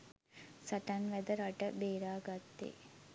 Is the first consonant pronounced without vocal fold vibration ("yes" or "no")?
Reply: yes